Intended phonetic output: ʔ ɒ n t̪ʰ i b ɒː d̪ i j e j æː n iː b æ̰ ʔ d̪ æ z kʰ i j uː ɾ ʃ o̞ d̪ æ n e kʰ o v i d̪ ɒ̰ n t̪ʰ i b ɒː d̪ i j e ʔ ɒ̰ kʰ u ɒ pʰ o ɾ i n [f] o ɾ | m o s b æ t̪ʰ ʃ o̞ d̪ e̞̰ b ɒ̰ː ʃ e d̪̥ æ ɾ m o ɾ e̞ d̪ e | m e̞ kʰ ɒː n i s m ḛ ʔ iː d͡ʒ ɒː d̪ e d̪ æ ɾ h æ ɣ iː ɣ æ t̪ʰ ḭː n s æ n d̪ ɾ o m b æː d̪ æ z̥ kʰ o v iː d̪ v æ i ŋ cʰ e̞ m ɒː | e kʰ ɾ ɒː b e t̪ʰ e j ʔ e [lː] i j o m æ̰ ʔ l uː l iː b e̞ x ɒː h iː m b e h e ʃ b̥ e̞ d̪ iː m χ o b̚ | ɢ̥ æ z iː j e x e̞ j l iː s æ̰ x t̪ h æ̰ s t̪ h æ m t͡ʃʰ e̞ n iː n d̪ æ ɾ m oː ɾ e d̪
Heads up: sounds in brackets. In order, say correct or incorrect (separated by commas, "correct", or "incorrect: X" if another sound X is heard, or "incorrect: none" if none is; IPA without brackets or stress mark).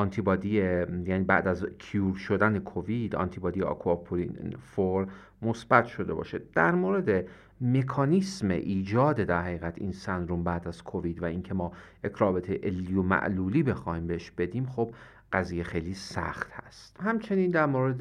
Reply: correct, correct